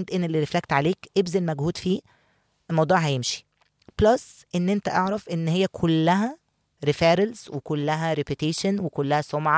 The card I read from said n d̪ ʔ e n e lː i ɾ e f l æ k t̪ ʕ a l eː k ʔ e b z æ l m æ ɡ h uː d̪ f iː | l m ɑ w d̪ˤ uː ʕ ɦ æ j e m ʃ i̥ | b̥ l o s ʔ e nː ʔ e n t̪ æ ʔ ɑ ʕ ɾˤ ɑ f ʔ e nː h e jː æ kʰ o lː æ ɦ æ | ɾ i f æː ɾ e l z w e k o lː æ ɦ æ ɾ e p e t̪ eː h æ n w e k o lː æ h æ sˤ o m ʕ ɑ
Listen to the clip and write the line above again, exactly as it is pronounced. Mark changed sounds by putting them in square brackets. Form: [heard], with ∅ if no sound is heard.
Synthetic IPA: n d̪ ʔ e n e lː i ɾ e f l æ k t̪ ʕ a l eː k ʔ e b z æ l m æ ɡ h uː d̪ f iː | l m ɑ w d̪ˤ uː ʕ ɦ æ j e m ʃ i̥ | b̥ l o s ʔ e nː ʔ e n t̪ æ ʔ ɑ ʕ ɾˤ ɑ f ʔ e nː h e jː æ kʰ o lː æ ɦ æ | ɾ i f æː ɾ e l z w e k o lː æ ɦ æ ɾ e p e t̪ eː [ʃ] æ n w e k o lː æ h æ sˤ o m ʕ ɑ